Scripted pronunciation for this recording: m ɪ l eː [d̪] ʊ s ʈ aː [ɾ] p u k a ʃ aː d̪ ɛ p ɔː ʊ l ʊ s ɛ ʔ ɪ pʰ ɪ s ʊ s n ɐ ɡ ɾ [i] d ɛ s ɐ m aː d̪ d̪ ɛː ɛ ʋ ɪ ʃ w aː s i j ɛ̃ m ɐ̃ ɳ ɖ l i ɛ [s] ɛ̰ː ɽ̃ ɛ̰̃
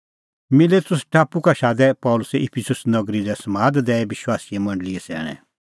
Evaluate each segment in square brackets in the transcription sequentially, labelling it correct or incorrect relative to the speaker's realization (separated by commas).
incorrect, incorrect, correct, correct